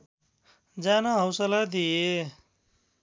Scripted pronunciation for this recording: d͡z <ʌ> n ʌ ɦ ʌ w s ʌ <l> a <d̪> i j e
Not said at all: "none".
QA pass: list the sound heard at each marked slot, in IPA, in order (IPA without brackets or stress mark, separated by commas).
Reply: a, l, d̪